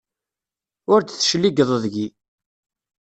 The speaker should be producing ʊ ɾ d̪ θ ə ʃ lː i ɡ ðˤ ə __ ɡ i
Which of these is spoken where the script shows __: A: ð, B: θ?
A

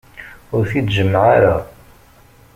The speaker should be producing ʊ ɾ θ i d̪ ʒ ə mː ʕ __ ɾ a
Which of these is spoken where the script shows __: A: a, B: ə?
A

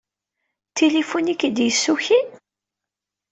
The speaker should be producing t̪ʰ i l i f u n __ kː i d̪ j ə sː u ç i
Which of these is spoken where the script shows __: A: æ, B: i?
B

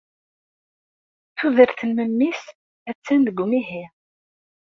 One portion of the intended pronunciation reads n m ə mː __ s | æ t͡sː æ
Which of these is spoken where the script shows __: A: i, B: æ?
A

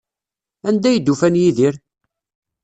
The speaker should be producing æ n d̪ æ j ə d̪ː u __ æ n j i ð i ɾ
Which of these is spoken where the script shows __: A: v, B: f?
B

